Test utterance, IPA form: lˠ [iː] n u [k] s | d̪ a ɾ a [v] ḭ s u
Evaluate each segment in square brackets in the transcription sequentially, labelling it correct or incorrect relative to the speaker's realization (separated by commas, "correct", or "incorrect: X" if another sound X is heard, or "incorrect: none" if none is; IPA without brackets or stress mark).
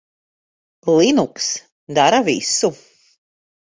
incorrect: i, correct, correct